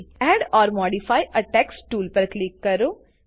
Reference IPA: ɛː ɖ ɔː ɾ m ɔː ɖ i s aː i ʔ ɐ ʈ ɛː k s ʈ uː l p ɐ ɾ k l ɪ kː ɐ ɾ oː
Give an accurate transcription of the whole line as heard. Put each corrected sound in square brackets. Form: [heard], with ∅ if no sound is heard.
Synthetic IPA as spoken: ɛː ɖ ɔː ɾ m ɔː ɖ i [f] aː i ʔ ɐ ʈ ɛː k s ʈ uː l p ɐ ɾ k l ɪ kː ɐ ɾ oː